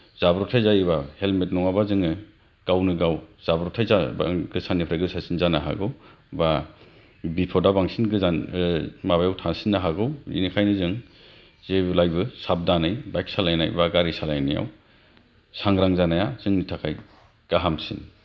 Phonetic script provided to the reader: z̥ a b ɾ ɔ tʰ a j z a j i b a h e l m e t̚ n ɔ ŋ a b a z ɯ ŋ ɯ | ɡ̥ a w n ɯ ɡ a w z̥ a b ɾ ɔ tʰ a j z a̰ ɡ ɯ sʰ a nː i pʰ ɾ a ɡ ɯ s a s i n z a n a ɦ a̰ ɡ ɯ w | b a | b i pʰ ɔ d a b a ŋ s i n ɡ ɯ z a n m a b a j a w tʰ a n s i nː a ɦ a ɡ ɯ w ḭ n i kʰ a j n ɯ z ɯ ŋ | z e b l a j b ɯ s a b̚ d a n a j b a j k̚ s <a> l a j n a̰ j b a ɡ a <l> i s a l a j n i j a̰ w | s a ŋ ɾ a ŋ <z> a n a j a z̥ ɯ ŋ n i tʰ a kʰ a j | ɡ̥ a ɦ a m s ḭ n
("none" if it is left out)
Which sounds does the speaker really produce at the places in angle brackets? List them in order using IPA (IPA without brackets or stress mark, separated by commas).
a, ɾ, z